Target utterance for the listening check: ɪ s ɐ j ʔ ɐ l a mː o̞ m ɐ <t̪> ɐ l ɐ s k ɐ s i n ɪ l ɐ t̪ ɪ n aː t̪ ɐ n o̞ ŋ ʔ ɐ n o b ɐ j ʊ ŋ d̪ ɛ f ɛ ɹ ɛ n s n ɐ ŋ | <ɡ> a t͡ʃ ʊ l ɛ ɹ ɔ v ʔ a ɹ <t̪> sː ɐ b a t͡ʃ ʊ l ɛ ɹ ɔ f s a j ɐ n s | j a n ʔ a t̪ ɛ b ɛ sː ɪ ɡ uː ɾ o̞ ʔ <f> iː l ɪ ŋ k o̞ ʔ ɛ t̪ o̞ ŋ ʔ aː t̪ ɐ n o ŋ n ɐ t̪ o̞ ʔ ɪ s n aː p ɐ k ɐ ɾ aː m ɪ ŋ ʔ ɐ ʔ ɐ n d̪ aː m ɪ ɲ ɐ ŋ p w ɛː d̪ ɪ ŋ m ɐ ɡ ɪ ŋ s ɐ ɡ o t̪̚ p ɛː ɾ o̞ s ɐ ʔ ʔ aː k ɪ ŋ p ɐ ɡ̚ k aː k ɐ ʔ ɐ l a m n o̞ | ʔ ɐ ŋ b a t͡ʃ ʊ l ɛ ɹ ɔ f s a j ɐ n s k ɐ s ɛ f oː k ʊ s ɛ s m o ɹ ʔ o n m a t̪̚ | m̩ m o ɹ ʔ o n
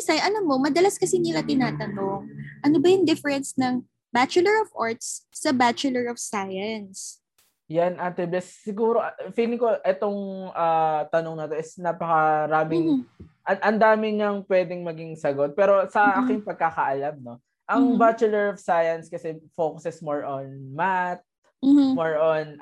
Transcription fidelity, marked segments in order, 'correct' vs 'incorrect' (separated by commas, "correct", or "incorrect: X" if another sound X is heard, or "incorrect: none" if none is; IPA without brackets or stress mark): incorrect: d̪, incorrect: b, correct, correct